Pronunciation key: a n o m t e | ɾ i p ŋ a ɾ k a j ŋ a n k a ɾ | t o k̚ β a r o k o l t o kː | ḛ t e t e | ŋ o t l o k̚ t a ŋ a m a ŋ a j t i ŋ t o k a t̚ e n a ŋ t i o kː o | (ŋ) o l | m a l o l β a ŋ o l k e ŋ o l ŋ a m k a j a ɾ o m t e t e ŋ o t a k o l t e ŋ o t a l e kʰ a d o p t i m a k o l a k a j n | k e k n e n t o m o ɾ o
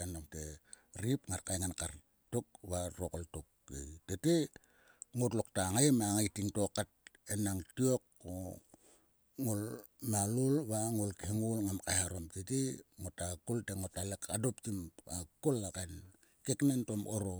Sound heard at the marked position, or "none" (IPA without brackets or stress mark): ŋ